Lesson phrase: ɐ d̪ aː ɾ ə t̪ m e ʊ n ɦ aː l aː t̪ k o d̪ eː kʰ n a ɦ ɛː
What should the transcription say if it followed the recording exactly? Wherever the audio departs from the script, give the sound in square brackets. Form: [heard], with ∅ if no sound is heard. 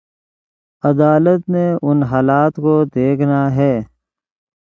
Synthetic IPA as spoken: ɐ d̪ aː [l] ə t̪ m e ʊ n ɦ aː l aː t̪ k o d̪ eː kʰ n a ɦ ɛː